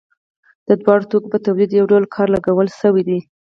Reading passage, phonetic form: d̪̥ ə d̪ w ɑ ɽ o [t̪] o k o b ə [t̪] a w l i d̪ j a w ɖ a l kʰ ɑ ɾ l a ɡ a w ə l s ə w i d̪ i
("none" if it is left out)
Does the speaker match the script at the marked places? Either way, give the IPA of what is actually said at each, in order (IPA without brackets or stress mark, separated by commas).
t̪, t̪